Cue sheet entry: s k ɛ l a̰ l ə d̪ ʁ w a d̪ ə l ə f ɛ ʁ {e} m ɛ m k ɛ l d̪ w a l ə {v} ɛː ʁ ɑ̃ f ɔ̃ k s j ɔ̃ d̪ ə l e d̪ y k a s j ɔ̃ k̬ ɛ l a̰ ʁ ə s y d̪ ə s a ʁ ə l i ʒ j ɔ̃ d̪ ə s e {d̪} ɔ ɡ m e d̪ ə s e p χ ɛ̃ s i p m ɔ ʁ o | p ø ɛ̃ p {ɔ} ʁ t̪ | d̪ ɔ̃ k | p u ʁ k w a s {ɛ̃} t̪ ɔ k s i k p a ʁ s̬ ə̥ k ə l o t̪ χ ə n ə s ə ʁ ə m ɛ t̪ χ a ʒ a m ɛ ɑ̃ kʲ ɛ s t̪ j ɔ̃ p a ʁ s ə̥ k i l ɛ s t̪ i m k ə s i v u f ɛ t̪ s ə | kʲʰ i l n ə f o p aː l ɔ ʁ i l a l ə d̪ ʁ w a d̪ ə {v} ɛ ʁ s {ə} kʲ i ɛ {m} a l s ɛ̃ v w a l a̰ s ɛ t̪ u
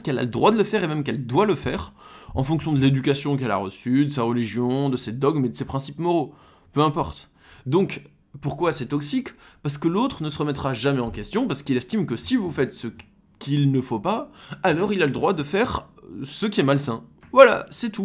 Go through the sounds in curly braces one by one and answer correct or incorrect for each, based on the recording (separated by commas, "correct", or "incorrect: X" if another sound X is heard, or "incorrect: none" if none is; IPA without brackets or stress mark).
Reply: correct, incorrect: f, correct, correct, incorrect: ɛ, incorrect: f, correct, correct